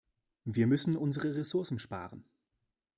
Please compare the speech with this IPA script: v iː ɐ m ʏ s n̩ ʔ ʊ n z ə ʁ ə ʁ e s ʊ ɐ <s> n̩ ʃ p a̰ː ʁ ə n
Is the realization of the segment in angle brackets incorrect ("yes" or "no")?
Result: no